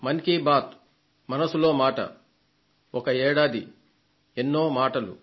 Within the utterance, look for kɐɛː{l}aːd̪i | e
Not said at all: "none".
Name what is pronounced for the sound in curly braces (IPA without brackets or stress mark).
ɽ